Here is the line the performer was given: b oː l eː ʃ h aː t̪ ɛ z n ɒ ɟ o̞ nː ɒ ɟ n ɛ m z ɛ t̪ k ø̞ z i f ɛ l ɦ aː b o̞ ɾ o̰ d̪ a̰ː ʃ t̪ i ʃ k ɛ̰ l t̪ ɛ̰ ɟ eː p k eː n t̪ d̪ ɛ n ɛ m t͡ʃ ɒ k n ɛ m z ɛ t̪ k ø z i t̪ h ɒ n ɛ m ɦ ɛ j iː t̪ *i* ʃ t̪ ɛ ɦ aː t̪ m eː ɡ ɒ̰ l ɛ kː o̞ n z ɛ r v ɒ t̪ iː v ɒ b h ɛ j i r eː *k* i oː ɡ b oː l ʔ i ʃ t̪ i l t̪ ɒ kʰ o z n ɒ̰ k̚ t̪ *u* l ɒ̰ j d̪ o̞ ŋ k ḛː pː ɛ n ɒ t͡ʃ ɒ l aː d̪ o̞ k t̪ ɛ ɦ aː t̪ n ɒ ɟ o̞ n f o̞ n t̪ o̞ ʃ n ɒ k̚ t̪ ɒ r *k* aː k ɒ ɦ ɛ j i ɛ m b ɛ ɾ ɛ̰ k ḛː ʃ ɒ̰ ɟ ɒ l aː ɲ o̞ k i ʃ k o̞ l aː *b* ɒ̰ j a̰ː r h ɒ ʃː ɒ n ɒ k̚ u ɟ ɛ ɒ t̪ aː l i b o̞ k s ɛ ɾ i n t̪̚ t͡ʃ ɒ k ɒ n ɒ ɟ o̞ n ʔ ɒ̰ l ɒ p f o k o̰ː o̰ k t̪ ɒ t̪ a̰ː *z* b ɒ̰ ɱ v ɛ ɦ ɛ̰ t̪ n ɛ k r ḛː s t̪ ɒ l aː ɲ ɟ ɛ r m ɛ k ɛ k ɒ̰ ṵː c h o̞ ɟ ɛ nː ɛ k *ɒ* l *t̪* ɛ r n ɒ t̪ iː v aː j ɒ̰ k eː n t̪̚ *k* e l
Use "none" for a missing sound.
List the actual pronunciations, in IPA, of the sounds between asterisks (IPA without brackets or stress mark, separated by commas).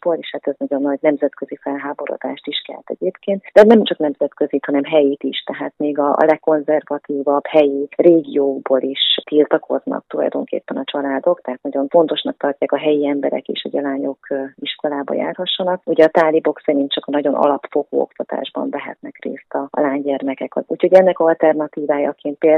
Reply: i, ɡ, u, c, b, ʒ, ɒ, t̪, p